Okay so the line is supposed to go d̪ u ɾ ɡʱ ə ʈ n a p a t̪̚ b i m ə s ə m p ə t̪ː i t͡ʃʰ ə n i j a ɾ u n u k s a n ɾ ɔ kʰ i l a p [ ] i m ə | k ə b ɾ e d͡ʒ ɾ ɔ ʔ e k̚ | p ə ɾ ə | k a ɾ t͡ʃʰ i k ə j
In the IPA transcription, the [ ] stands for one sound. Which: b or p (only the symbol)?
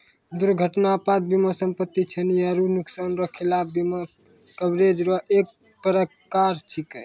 b